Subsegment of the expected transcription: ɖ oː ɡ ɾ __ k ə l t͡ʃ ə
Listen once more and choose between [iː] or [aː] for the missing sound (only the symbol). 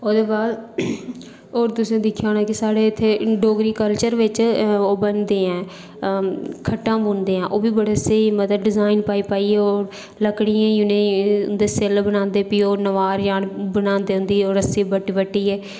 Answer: iː